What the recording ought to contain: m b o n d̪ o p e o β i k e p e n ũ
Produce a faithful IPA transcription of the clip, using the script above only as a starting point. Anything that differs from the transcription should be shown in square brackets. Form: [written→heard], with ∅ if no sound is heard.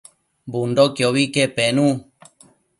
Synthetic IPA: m b [o→u] n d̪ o [p→k] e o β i k e p e n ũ